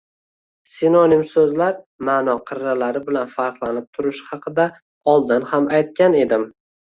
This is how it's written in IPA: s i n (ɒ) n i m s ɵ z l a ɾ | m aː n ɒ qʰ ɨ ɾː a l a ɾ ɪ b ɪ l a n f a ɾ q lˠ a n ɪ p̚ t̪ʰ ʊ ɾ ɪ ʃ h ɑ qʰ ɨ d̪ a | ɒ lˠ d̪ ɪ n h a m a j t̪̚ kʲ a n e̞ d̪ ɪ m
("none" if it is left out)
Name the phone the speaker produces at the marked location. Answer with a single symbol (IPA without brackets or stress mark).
o